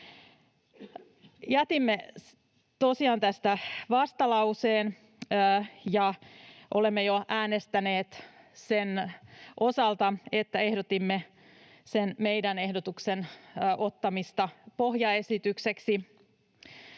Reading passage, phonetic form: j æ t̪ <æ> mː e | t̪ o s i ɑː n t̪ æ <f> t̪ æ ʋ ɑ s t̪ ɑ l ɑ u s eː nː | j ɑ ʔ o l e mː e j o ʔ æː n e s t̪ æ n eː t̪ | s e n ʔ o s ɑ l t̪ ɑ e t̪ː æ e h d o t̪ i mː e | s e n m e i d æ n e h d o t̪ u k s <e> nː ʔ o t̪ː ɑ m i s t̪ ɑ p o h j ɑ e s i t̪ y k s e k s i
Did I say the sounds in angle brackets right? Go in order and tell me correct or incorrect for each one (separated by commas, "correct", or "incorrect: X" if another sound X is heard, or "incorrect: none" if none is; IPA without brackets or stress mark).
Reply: incorrect: i, incorrect: s, correct